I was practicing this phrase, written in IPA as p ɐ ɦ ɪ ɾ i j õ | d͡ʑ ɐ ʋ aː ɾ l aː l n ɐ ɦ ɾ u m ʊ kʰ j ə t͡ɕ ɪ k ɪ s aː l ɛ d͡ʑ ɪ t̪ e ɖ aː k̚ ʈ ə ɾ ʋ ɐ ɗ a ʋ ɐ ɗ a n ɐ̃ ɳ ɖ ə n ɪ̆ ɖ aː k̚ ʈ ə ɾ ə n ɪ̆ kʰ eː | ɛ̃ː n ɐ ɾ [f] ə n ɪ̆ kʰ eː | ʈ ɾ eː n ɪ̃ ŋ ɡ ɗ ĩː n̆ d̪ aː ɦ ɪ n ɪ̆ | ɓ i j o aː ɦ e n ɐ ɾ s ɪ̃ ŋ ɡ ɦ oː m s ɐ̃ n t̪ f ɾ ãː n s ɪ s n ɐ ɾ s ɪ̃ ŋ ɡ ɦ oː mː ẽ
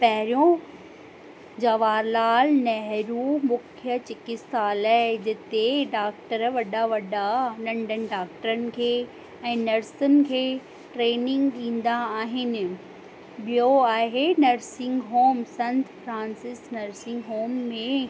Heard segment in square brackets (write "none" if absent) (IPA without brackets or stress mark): s